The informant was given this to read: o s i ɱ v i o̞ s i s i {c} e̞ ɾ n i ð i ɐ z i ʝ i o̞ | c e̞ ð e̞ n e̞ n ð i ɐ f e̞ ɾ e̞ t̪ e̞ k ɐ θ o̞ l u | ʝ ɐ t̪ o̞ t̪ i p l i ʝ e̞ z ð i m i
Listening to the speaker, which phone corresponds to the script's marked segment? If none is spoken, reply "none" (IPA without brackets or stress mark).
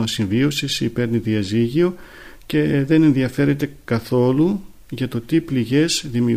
p